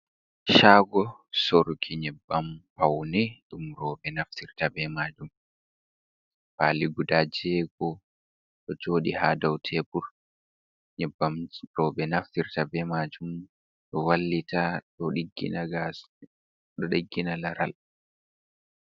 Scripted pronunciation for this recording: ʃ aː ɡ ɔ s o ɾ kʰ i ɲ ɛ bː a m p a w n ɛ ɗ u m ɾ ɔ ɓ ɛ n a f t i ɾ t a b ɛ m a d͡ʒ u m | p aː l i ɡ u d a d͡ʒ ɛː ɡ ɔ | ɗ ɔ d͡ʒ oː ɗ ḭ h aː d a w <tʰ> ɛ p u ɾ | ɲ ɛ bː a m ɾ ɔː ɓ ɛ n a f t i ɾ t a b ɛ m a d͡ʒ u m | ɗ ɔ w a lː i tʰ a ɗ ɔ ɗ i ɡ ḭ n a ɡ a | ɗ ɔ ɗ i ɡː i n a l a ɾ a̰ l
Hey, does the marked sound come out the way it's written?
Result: yes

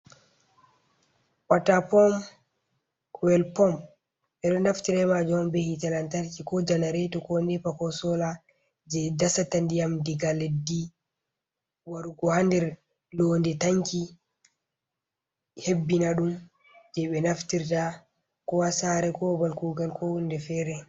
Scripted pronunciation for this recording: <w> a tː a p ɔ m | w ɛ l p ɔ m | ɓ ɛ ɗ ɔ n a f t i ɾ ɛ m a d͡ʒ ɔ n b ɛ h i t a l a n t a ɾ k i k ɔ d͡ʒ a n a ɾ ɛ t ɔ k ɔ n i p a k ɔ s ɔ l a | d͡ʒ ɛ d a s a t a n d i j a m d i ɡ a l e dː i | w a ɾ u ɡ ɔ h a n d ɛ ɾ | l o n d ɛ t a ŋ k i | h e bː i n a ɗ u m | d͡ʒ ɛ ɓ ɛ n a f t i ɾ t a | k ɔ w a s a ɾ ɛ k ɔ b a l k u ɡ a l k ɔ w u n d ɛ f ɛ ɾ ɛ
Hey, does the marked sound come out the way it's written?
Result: yes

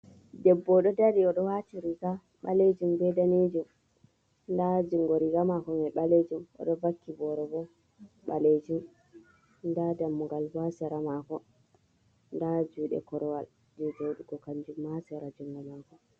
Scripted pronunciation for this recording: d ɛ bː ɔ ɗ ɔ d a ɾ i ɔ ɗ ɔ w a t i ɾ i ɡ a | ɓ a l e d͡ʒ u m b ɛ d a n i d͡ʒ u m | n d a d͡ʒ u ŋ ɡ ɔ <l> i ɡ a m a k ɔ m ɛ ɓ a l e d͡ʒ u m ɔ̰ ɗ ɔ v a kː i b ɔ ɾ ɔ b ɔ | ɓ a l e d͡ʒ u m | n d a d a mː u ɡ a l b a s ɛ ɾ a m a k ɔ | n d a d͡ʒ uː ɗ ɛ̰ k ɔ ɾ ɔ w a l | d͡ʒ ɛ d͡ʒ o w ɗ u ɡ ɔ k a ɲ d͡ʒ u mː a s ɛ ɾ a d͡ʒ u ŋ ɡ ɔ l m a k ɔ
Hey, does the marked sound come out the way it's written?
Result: no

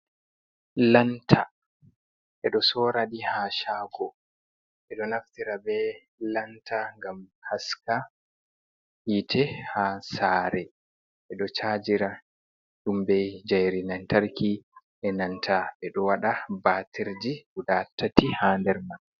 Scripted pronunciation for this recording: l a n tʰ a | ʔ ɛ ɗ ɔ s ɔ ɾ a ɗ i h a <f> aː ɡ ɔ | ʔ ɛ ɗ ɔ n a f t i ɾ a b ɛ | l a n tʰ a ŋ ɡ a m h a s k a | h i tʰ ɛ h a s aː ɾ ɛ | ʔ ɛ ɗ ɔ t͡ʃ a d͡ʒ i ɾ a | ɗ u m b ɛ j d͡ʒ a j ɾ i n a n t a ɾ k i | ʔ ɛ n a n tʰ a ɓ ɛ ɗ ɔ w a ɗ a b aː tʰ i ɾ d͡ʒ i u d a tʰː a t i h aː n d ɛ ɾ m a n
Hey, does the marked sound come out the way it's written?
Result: no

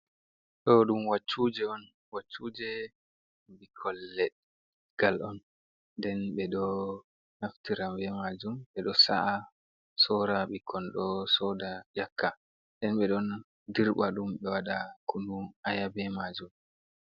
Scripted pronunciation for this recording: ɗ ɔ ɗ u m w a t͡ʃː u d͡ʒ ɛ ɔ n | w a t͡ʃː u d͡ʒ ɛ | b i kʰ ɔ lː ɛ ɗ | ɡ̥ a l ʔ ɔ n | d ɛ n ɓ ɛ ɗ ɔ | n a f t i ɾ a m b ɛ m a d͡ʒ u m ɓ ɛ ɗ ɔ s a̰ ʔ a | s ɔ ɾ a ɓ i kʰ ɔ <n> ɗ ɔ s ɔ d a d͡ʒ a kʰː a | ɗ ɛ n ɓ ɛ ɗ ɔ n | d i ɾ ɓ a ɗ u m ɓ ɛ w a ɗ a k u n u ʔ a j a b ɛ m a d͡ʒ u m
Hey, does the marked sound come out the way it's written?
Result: yes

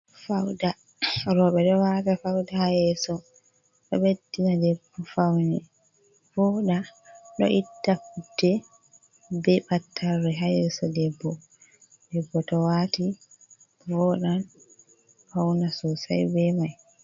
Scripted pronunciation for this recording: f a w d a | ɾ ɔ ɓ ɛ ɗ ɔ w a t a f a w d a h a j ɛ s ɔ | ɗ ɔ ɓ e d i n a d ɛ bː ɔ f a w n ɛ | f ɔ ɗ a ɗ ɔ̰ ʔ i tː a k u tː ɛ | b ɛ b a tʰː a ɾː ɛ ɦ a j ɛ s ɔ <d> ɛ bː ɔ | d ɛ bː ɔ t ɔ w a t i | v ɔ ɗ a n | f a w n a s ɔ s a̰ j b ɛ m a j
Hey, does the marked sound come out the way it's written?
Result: yes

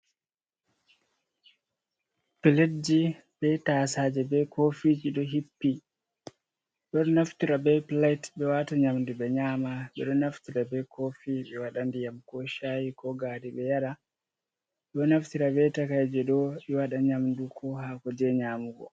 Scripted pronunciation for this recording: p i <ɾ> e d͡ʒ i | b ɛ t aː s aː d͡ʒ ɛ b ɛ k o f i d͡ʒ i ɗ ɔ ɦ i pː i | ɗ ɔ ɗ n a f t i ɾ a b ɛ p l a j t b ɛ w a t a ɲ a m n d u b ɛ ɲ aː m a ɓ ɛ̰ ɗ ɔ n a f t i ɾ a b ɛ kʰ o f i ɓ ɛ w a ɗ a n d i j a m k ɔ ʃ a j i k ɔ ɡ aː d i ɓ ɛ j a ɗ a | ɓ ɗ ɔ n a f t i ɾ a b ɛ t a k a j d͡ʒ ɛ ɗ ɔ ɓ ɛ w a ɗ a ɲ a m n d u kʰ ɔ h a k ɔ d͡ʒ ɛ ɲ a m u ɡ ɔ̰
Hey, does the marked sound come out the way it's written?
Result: no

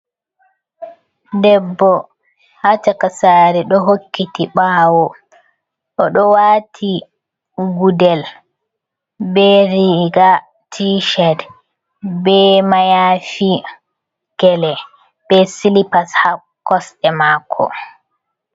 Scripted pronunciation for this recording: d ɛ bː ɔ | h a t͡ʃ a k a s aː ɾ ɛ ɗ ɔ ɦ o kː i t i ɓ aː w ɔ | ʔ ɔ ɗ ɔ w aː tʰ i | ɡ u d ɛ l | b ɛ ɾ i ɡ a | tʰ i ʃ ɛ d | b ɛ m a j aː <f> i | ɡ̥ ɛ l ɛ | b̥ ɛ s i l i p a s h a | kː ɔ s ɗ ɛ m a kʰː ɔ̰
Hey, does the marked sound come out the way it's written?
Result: yes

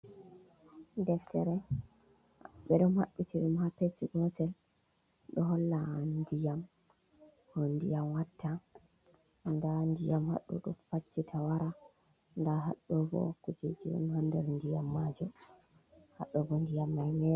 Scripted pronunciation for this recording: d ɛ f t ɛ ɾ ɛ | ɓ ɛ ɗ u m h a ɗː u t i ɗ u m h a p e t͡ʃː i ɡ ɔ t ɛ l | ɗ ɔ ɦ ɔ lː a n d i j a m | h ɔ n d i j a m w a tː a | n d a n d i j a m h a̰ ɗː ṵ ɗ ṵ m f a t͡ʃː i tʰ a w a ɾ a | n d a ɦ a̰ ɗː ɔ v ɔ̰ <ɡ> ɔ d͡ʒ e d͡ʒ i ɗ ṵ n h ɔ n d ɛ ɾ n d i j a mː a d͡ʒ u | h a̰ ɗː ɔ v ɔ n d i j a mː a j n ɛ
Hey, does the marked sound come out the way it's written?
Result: no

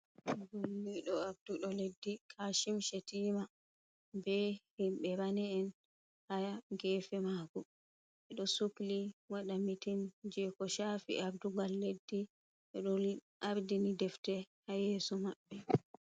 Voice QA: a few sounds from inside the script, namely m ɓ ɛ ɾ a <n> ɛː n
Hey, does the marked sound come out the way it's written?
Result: yes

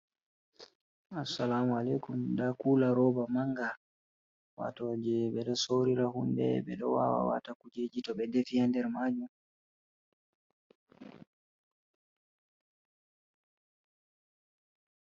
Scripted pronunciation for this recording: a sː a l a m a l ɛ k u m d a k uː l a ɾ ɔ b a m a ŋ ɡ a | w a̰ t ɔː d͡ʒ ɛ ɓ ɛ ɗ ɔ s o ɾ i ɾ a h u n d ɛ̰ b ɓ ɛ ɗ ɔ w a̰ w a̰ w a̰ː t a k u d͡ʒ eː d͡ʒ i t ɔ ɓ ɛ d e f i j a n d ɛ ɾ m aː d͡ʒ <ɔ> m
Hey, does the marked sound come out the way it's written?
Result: no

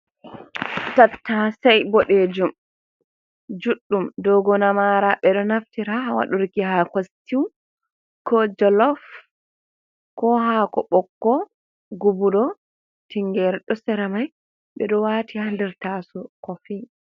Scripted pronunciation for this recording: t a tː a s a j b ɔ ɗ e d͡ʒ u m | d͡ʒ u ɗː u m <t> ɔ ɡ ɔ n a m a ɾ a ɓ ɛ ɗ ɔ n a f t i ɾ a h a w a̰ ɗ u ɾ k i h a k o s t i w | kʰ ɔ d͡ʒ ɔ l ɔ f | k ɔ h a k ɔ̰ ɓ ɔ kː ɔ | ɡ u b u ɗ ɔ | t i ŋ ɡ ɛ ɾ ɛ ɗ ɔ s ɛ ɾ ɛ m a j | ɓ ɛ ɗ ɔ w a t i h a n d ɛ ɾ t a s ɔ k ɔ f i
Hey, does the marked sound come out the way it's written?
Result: no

